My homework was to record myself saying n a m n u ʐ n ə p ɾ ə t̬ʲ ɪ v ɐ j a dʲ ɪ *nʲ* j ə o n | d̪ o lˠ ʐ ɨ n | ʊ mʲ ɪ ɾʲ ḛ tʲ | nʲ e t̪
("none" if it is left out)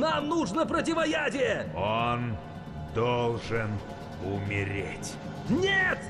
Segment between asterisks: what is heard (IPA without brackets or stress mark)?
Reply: none